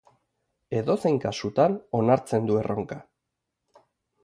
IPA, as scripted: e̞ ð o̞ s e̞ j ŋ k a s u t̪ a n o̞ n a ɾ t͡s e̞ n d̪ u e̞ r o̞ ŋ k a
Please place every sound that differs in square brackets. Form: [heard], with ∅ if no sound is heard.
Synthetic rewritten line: e̞ ð o̞ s e̞ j ŋ k a s u t̪ a n o̞ n a ɾ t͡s e̞ n d̪ u e̞ r o̞ ŋ k a